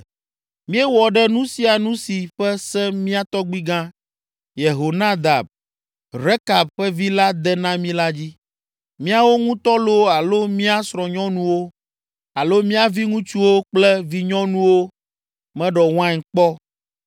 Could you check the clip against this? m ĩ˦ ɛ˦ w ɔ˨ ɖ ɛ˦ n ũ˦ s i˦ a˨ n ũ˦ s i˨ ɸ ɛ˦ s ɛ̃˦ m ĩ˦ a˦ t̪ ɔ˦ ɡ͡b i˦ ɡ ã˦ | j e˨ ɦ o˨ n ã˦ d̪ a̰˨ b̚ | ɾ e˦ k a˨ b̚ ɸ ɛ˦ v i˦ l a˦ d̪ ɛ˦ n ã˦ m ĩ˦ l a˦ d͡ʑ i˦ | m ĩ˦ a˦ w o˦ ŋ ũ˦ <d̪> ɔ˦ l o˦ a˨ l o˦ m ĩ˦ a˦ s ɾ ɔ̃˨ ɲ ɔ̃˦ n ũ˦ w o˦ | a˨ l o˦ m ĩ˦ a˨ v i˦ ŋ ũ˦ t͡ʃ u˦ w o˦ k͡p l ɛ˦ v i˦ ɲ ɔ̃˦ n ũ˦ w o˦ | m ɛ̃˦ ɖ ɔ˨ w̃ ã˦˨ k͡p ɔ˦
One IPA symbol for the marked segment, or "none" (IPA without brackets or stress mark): t̪